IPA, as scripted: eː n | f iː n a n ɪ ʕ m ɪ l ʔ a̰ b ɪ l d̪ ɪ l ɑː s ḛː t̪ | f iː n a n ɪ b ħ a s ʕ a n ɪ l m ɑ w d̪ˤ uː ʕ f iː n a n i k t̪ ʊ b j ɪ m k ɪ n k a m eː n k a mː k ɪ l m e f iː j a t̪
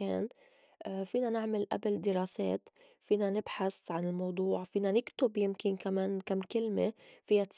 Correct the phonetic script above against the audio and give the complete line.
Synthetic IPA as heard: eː n | f iː n a n ɪ ʕ m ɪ l ʔ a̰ b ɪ l d̪ ɪ ɾ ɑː s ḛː t̪ | f iː n a n ɪ b ħ a s ʕ a n ɪ l m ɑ w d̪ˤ uː ʕ f iː n a n ɪ k t̪ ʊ b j ɪ m k ɪ n k a m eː n k a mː k ɪ l m e f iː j a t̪